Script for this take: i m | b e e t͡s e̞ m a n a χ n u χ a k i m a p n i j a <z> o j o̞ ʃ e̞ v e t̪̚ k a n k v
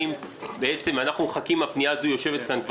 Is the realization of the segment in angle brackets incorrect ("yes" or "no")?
no